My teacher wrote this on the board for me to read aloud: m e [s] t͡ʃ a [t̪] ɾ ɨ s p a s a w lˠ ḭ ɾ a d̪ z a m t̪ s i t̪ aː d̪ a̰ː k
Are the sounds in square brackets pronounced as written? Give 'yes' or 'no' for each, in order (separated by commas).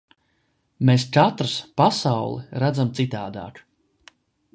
yes, yes